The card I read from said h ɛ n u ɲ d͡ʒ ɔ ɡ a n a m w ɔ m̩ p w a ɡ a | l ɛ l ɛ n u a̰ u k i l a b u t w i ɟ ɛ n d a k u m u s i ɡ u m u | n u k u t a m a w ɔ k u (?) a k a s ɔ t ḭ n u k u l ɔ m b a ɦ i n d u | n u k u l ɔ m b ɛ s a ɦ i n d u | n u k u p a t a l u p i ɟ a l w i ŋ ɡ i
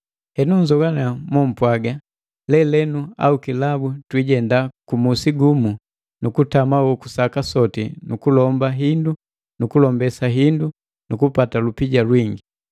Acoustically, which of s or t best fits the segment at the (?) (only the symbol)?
s